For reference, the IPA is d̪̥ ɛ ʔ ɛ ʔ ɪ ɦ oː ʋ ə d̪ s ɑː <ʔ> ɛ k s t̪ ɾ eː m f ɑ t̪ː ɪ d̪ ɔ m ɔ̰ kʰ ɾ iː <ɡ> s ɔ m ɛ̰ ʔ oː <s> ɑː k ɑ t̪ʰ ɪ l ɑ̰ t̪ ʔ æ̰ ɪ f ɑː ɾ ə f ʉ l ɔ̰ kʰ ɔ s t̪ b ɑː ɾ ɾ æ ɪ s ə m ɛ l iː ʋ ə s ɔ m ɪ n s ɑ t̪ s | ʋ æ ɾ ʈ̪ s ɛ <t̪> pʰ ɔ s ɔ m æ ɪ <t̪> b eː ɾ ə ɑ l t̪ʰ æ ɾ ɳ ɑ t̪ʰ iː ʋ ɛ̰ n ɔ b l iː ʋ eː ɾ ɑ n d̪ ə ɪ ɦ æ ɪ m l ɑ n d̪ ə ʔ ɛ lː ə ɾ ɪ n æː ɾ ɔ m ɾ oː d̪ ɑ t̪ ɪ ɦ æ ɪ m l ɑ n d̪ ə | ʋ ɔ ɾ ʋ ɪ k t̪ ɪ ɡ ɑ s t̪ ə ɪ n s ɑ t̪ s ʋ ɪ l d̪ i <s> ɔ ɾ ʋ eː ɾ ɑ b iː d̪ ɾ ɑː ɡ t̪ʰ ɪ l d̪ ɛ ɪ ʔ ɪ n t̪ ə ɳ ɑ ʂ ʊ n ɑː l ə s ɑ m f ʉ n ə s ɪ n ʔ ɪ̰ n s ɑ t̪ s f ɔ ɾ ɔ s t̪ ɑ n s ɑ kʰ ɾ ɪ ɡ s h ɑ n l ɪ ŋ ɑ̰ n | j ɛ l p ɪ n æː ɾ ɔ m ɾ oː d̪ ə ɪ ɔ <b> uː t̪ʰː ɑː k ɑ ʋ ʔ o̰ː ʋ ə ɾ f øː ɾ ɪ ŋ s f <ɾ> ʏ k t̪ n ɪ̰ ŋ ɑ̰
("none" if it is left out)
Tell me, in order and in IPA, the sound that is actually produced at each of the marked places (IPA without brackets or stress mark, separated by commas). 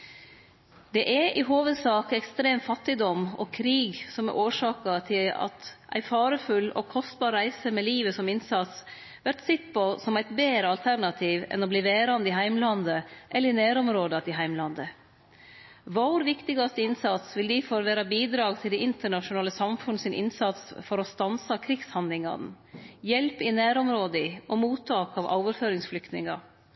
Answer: k, ɡ, ʂ, t̪, t̪, f, m, l